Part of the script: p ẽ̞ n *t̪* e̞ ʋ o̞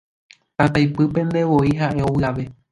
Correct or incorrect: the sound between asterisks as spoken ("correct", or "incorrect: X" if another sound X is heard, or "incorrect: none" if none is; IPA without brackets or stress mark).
incorrect: d̪